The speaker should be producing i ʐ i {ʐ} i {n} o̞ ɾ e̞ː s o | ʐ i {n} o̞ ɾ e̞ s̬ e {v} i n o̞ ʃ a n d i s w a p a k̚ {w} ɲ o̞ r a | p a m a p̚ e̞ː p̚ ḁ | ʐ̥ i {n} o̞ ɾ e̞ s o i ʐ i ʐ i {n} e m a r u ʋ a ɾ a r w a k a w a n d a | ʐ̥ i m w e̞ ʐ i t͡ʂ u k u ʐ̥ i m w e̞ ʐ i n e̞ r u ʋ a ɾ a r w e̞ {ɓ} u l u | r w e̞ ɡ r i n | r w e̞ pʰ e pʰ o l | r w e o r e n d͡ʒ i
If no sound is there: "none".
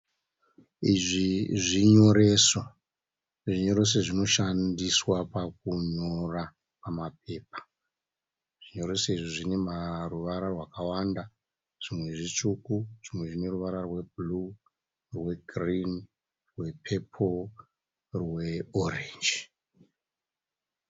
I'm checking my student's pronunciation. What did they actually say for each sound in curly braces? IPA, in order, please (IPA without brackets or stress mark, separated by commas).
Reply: ʐ, ɲ, ɲ, ʐ, u, ɲ, n, b